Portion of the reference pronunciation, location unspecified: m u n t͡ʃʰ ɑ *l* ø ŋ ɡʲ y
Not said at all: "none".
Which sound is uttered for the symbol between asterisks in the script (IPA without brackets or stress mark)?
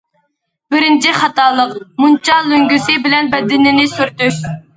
l